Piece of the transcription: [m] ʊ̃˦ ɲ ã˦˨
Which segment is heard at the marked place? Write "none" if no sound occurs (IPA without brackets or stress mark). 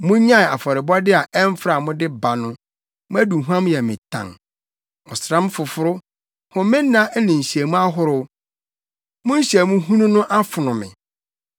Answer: m